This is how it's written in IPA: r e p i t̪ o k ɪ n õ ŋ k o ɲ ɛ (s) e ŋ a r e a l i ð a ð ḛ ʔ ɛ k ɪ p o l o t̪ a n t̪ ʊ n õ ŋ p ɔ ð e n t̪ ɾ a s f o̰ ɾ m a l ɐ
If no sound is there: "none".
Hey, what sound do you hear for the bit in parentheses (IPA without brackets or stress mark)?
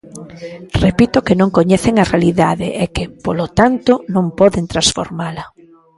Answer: θ